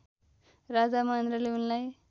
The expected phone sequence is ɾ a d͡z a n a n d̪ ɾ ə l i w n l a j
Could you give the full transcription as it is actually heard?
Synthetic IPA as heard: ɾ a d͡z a m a n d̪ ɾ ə l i u n l a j